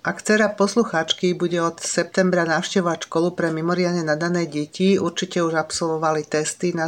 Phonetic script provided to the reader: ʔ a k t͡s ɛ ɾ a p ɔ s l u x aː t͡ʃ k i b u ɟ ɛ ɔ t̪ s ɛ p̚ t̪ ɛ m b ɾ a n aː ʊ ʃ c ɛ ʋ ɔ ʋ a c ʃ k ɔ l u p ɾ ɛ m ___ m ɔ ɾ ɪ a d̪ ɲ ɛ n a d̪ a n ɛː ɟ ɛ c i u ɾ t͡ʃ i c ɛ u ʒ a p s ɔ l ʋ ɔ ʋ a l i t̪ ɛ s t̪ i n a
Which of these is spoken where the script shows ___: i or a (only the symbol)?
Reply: i